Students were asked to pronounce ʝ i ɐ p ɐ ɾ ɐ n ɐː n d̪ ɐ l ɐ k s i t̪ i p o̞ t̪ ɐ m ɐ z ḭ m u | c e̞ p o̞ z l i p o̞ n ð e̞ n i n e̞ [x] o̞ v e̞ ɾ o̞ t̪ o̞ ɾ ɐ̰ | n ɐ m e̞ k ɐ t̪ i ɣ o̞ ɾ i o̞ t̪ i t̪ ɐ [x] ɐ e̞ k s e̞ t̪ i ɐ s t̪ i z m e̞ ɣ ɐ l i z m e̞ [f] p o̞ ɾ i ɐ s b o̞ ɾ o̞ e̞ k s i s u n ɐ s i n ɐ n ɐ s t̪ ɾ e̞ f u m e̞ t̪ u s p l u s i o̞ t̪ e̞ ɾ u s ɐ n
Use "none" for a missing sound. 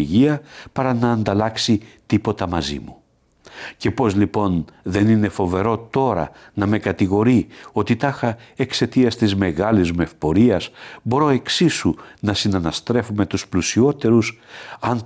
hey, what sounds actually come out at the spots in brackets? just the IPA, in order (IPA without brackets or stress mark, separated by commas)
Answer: f, x, f